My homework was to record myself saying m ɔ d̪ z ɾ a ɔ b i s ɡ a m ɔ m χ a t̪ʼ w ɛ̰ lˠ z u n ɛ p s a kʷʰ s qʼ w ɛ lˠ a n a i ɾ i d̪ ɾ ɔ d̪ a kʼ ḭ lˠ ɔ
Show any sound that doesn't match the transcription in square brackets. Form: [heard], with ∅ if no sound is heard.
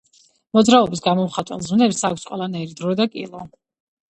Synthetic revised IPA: m ɔ d̪ z ɾ a ɔ b i s ɡ a m ɔ m χ a t̪ʼ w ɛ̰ lˠ z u n ɛ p s a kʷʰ s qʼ w ɛ lˠ a n a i ɾ i d̪ ɾ ɔ d̪ a kʼ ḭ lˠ ɔ